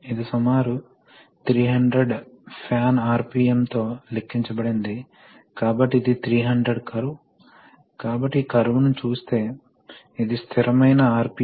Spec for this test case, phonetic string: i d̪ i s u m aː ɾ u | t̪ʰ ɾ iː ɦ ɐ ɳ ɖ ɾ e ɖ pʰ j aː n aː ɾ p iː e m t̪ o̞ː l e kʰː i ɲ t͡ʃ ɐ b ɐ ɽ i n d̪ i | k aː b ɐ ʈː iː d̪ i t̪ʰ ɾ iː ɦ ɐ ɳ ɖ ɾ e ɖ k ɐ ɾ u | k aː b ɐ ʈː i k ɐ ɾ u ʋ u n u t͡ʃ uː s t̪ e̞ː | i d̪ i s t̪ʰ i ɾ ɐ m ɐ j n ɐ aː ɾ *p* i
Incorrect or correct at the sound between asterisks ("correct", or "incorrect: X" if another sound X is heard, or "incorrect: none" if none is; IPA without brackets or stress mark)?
correct